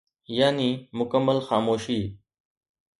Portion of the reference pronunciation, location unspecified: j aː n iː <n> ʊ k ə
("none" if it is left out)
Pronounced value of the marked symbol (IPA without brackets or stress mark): m